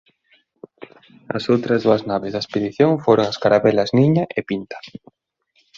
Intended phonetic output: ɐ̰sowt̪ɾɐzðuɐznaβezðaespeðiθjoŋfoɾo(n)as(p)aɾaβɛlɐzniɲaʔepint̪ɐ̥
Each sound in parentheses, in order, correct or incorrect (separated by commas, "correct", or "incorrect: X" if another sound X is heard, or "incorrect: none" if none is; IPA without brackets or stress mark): incorrect: ŋ, incorrect: k